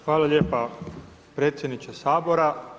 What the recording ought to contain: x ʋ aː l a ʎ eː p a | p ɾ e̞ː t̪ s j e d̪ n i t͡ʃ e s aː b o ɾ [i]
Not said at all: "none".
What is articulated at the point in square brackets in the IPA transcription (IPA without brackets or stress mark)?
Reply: a